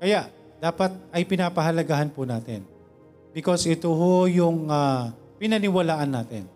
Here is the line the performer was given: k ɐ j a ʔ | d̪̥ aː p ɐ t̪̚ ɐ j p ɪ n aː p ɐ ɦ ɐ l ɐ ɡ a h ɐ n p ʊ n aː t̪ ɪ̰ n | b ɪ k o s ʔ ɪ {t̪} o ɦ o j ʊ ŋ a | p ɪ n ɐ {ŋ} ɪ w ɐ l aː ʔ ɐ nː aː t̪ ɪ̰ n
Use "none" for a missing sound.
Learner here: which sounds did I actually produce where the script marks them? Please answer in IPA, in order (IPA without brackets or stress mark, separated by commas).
t̪, n